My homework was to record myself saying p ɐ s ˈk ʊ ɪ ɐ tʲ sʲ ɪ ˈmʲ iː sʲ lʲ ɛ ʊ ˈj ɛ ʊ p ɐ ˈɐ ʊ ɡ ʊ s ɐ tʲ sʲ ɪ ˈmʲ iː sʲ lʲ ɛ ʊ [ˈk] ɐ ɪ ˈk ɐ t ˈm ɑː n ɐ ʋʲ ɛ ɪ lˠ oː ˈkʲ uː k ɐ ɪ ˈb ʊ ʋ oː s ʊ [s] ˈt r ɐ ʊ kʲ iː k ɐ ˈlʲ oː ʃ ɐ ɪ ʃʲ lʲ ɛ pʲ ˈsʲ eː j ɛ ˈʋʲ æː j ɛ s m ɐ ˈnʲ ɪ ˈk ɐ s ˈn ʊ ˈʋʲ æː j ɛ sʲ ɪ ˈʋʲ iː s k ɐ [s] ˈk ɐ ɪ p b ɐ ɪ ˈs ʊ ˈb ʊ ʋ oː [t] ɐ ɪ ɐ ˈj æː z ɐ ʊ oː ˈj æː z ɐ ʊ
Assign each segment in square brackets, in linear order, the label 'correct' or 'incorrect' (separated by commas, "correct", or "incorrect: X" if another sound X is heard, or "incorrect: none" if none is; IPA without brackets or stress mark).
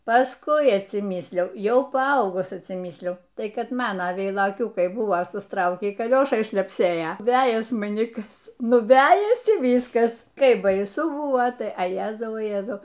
incorrect: t, correct, correct, correct